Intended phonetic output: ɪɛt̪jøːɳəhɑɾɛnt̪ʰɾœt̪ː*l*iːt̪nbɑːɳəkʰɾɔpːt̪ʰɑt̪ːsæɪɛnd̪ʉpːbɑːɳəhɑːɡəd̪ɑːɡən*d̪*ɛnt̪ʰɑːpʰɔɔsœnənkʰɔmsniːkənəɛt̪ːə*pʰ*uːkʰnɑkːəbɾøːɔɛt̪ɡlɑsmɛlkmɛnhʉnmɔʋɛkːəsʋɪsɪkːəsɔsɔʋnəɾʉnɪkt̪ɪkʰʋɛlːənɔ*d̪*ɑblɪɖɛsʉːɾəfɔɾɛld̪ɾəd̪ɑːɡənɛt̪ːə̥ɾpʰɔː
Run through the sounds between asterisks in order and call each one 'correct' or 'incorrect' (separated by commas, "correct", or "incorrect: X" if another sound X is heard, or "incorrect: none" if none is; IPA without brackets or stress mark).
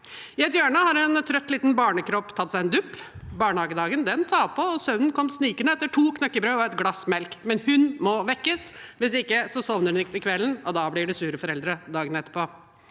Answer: correct, correct, incorrect: ʈʰ, correct